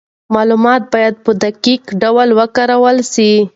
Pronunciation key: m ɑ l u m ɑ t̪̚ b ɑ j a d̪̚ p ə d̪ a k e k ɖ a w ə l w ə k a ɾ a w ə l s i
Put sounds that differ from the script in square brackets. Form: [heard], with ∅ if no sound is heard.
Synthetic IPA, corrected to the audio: m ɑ l u m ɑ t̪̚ b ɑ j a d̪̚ p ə d̪ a k [i] k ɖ a w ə l w ə k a ɾ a w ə l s i